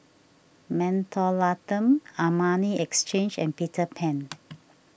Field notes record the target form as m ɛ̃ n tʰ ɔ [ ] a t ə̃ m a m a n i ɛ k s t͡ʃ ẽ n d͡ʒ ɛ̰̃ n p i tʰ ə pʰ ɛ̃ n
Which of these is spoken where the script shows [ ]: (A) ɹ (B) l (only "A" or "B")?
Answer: B